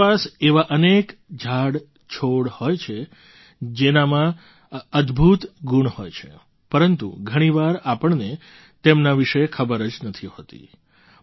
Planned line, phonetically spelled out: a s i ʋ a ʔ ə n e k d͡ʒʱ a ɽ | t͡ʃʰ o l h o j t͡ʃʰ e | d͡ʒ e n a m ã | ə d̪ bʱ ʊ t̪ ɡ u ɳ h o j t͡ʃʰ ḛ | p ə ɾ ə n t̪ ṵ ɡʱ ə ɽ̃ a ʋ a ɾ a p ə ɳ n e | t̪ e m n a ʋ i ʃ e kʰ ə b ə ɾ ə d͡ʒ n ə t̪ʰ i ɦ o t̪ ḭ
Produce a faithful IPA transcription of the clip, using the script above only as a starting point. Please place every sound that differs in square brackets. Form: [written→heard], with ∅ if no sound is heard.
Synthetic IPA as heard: a s [i→e] ʋ a ʔ ə n e k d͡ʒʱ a ɽ | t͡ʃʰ o [l→ɽ] h o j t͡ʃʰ e | d͡ʒ e n a m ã | ə d̪ bʱ [ʊ→u] t̪ ɡ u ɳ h o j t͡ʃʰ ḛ | p ə ɾ ə n t̪ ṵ ɡʱ ə ɽ̃ [a→i] ʋ a ɾ a p ə ɳ n e | t̪ e m n a ʋ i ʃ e kʰ ə b ə ɾ ə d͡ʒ n ə t̪ʰ i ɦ o t̪ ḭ